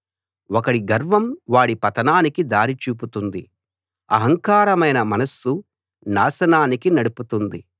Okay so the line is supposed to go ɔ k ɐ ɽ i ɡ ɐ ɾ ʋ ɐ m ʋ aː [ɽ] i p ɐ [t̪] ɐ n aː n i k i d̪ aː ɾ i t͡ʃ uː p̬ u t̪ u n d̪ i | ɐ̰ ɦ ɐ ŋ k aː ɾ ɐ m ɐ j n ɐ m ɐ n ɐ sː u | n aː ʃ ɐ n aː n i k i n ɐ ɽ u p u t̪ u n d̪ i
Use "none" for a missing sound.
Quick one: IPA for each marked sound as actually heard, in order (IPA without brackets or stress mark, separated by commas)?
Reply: ɽ, t̪